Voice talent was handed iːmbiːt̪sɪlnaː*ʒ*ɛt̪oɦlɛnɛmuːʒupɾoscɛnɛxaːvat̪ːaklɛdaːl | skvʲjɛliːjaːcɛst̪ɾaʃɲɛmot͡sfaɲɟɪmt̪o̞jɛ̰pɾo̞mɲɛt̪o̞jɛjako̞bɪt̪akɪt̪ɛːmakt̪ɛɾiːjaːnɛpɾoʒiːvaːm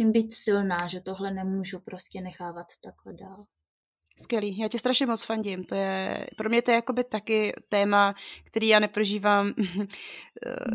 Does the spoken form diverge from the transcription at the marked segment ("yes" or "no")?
no